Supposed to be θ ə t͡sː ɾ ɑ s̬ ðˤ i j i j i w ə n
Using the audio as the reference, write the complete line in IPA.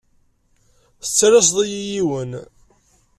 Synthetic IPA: θ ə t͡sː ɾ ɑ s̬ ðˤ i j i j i w ə n